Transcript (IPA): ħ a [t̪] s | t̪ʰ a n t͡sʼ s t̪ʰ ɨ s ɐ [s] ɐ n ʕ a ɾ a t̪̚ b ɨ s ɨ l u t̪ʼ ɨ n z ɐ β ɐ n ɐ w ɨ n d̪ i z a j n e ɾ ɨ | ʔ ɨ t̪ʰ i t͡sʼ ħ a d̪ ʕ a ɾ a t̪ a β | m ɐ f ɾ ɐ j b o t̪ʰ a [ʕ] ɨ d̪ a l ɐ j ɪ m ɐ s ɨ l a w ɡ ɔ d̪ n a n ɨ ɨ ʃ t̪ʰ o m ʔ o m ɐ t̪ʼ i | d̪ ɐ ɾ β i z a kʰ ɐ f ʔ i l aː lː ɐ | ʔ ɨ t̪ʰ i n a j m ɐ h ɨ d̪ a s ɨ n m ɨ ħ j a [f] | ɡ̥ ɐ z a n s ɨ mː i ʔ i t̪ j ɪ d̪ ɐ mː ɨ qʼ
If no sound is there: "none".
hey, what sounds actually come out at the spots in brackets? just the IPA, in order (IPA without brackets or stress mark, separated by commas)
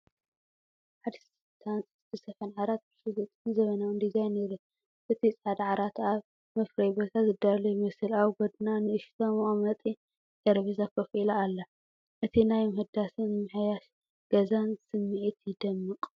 d̪, f, z, ʃ